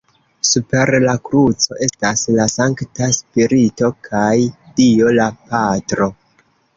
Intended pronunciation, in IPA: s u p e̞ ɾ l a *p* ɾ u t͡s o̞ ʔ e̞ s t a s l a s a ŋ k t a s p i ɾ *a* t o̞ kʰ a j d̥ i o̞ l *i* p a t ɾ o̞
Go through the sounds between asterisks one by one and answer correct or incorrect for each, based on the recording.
incorrect, incorrect, incorrect

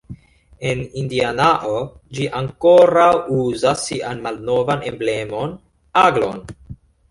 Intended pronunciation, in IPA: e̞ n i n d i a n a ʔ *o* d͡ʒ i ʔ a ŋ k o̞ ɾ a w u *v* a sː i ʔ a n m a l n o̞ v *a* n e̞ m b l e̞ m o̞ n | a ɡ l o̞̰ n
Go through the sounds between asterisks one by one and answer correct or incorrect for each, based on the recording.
correct, incorrect, correct

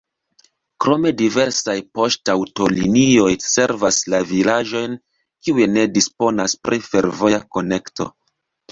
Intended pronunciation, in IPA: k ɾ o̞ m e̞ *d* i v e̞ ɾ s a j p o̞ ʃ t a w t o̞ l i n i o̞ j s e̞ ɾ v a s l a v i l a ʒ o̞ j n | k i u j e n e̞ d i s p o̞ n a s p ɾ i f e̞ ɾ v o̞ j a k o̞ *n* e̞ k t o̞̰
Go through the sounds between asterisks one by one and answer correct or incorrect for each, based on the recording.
correct, correct

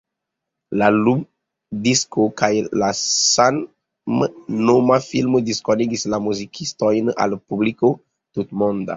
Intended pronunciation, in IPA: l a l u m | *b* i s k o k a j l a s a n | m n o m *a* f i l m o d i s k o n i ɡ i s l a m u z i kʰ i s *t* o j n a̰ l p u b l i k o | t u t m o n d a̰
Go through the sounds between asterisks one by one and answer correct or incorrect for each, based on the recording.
incorrect, correct, correct

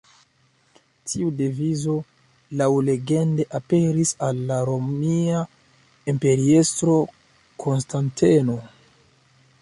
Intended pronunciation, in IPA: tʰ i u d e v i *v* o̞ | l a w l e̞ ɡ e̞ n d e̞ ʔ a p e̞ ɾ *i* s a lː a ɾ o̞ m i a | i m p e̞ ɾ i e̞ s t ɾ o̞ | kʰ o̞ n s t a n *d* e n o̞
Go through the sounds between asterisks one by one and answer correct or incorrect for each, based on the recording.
incorrect, correct, incorrect

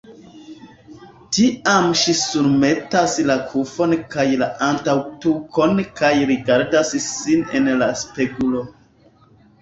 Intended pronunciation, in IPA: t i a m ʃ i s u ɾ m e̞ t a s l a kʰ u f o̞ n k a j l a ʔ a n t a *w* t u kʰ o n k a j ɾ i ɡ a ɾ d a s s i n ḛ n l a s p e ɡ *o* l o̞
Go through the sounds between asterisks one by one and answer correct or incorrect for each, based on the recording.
correct, incorrect

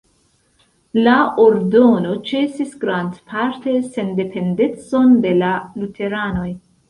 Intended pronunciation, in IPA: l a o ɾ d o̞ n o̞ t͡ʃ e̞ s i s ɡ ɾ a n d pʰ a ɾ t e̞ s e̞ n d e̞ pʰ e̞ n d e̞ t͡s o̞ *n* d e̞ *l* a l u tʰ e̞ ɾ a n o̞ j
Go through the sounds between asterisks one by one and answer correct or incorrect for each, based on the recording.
correct, correct

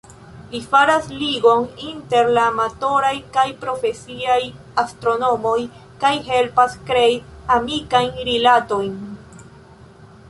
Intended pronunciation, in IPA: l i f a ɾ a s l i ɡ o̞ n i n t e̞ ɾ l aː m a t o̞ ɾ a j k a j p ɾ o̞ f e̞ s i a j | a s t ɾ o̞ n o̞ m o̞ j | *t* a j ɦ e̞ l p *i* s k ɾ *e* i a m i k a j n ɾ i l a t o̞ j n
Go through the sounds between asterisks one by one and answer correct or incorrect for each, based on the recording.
incorrect, incorrect, correct

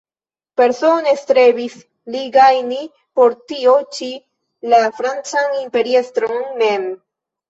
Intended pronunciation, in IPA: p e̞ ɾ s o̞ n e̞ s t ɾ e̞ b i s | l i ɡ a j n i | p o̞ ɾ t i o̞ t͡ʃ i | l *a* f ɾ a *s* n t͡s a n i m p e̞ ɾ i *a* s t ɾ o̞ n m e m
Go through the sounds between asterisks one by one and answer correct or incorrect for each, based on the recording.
correct, incorrect, incorrect

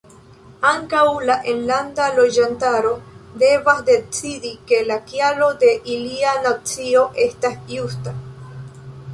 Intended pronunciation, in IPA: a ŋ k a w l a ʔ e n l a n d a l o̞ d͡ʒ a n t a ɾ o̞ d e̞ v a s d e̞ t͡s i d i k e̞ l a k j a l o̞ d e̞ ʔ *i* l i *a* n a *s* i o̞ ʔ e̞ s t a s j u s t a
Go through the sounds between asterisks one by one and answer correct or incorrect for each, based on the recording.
correct, correct, incorrect

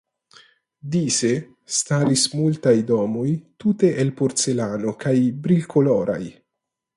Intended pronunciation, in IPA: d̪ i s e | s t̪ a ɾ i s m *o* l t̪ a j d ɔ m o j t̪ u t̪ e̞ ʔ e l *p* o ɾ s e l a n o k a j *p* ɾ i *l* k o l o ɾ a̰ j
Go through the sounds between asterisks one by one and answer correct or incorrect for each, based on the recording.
incorrect, correct, incorrect, correct

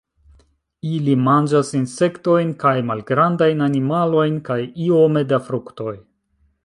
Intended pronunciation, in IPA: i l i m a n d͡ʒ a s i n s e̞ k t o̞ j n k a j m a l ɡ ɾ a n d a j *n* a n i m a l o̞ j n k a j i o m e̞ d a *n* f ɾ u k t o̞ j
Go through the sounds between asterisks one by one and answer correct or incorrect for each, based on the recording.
correct, incorrect

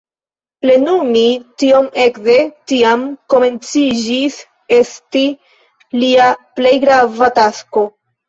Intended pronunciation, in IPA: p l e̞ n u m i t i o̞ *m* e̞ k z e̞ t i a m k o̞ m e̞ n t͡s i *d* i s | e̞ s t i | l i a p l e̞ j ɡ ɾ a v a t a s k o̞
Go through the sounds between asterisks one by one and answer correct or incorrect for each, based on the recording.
correct, incorrect

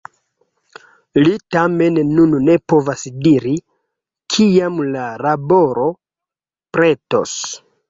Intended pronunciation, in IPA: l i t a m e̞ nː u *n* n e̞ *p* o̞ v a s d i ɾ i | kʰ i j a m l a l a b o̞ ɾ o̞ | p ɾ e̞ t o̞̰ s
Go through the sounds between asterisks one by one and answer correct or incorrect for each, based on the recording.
correct, correct

